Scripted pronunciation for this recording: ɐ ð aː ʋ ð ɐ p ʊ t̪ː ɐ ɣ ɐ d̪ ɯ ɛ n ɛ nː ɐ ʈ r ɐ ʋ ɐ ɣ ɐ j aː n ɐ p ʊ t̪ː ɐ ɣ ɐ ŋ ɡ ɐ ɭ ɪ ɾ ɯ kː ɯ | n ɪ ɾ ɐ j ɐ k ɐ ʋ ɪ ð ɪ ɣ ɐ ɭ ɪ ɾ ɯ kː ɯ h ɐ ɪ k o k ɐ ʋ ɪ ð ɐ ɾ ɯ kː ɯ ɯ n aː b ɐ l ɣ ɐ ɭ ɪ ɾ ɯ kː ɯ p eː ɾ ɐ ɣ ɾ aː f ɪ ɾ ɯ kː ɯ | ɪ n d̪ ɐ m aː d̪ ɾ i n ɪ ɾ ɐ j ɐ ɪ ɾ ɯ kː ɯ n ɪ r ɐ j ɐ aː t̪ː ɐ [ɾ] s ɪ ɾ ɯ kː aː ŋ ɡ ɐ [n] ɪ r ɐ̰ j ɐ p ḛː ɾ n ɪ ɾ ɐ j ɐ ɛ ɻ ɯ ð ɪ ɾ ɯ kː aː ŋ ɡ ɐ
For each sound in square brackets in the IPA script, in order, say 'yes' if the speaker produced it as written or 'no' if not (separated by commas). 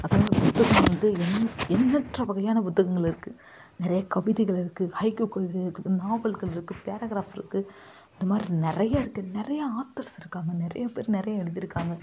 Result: yes, yes